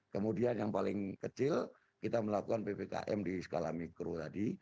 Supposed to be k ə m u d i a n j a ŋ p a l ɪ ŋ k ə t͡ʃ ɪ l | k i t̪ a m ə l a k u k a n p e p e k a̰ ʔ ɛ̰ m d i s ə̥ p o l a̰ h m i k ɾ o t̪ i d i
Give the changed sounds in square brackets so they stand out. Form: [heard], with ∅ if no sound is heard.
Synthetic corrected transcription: k ə m u d i a n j a ŋ p a l ɪ ŋ k ə t͡ʃ ɪ l | k i t̪ a m ə l a k u k a n p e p e k a̰ ʔ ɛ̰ m d i s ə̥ [k] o l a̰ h m i k ɾ o t̪ [a] d i